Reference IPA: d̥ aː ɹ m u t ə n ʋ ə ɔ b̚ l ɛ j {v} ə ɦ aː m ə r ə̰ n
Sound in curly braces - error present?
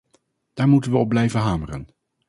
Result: no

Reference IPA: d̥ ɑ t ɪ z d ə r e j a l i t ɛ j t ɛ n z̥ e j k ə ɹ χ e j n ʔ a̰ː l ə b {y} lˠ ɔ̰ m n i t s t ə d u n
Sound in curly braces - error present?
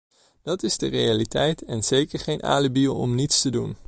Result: yes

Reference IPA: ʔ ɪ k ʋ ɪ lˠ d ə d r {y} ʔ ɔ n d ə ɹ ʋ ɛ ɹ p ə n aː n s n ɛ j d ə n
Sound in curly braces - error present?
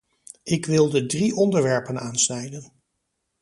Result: yes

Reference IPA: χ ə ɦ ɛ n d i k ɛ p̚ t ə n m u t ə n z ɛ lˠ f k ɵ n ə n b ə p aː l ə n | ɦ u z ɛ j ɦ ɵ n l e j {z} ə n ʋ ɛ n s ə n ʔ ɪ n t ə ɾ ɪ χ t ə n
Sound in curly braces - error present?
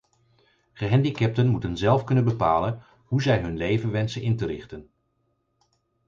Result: yes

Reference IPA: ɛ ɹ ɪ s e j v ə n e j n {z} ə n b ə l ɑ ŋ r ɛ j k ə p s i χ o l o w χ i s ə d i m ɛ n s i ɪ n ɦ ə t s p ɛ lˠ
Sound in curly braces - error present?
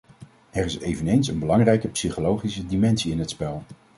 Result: yes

